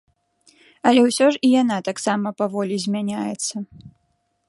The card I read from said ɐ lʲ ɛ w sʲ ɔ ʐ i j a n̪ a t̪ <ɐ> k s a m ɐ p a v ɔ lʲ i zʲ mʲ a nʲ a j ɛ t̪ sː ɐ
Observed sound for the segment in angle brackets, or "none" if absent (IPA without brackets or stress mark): a